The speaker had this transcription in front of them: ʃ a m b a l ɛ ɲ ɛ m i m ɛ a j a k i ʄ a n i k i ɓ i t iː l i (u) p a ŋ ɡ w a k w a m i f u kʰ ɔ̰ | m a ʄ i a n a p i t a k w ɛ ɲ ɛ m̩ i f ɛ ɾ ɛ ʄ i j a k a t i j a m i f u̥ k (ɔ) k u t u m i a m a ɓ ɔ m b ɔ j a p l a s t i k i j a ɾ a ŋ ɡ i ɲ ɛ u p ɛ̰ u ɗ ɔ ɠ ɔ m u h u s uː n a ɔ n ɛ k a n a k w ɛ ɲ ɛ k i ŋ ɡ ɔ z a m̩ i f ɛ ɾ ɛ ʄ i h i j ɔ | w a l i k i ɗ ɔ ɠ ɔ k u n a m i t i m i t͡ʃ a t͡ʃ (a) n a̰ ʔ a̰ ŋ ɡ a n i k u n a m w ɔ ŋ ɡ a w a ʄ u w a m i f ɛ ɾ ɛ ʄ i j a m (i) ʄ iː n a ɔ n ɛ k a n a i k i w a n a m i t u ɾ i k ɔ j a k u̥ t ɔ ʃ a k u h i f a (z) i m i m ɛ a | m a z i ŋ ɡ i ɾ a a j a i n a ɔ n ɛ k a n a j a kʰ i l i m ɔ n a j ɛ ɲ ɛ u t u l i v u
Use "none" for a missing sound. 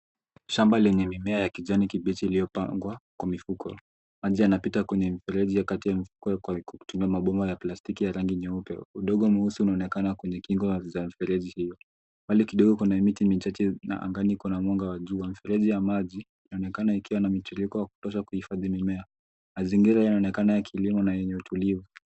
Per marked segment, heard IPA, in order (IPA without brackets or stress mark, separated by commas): ɔ, ɔ, ɛ, a, ð